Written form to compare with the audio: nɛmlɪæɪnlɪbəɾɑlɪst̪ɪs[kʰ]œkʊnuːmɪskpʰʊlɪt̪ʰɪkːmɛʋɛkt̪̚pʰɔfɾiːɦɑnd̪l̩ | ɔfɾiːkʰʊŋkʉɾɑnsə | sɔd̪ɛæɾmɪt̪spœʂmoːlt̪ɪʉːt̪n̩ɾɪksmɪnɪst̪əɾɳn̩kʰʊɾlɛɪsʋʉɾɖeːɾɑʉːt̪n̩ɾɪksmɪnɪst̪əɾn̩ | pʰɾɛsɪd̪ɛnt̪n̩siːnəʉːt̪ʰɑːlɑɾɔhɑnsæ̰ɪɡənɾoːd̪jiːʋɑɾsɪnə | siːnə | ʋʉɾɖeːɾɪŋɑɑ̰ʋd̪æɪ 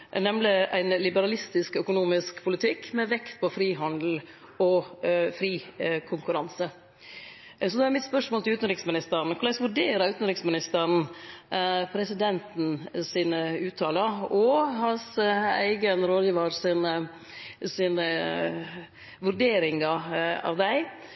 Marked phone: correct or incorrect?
incorrect